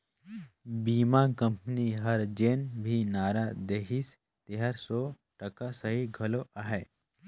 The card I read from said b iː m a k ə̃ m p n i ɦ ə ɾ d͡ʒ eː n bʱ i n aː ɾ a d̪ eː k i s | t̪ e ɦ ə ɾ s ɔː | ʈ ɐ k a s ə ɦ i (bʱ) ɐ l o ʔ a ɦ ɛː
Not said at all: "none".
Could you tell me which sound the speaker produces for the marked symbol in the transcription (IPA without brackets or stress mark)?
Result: ɡʱ